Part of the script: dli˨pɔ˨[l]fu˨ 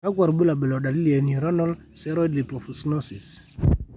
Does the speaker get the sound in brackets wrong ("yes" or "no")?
yes